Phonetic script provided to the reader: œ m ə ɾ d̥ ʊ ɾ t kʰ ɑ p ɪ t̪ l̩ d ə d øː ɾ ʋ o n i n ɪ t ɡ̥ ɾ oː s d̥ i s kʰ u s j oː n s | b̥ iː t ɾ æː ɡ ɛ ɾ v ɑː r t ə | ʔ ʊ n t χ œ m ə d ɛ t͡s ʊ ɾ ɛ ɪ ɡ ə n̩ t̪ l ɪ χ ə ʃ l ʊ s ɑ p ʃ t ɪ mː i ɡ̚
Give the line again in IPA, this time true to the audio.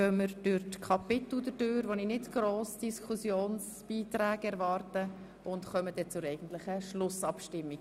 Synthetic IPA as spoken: œ m ə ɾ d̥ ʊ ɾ t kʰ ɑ p ɪ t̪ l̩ d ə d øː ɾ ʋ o n i n ɪ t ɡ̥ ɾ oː s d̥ i s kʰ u s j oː n s | b̥ iː t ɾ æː ɡ ɛ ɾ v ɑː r t ə | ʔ ʊ n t χ œ m ə d ɛ t͡s ʊ ɾ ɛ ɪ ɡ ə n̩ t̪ l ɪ χ ə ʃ l ʊ s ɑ p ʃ t ɪ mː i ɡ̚